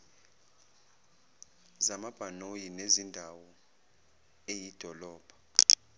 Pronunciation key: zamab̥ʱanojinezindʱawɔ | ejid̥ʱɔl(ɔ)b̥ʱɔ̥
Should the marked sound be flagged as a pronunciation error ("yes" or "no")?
yes